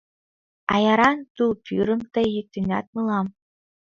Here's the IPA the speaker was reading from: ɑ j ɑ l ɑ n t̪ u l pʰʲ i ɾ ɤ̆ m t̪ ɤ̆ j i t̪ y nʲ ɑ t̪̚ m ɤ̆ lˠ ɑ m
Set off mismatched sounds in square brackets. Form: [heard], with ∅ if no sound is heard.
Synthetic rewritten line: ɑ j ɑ [ɾ] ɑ n t̪ u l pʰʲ [y] ɾ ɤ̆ m t̪ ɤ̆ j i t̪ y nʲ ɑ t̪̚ m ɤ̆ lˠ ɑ m